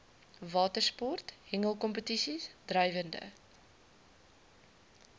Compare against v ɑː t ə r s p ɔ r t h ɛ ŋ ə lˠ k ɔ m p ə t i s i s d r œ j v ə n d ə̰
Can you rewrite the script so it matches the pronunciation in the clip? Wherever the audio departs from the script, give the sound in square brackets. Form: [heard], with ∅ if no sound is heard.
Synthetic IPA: v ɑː t ə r s p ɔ r t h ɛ ŋ ə lˠ k ɔ m p ə t i s i s d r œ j v ə n d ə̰